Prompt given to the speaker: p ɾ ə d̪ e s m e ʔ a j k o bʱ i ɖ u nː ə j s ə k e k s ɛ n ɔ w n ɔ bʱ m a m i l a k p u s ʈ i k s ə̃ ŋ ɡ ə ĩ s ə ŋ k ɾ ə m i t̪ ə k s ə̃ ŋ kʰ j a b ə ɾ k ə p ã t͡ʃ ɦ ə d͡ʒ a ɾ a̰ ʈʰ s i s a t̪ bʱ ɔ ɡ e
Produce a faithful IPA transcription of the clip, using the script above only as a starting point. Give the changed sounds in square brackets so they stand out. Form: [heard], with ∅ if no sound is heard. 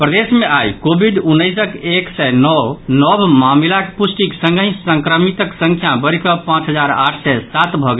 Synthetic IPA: p ɾ ə d̪ e s m e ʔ a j k o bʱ i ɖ u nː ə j s ə k e k s ɛ n ɔ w n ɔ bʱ m a m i l a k p u s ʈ i k s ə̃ ŋ ɡ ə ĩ s ə ŋ k ɾ ə m i t̪ ə k s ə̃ ŋ kʰ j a b ə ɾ k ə p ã t͡ʃ ɦ ə d͡ʒ a ɾ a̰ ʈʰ s [ɛ] s a t̪ bʱ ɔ ɡ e